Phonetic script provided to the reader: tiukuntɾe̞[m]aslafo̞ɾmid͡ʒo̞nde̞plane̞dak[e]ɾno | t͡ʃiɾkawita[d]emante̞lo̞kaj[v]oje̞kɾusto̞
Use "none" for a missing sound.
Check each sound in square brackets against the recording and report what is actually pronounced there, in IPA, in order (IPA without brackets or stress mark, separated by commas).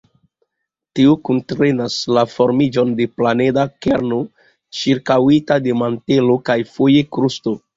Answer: n, e, d, f